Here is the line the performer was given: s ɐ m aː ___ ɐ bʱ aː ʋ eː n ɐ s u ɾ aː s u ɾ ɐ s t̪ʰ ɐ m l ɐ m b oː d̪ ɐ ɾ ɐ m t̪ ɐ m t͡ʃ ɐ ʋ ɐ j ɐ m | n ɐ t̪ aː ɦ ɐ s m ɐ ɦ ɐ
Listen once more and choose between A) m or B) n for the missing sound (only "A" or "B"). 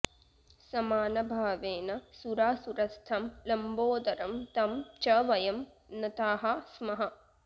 B